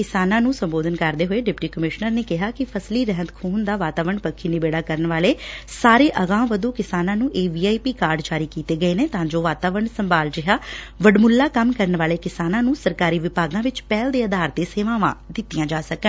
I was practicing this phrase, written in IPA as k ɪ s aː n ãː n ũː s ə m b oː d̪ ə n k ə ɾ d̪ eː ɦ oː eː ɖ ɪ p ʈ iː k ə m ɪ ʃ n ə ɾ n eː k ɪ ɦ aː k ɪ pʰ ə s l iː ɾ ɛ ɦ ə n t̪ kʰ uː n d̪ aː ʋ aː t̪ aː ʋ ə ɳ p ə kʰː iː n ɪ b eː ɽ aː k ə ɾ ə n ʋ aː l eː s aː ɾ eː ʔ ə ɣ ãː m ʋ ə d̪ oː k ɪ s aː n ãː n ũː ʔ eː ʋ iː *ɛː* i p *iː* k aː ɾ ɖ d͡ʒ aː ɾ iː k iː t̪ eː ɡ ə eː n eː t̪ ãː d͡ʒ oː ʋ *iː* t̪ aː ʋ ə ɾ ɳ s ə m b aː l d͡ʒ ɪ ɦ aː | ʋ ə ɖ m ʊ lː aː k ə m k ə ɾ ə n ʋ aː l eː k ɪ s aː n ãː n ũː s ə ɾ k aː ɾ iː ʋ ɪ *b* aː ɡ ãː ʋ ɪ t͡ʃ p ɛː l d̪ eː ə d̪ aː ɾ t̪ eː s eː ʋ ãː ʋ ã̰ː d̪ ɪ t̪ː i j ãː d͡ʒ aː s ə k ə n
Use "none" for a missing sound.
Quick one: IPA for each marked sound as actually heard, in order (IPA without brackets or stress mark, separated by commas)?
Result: aː, iː, aː, p